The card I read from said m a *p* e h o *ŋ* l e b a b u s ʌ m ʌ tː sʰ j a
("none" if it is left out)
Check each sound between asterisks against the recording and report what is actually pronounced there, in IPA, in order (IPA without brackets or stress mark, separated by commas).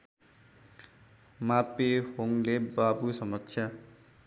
p, ŋ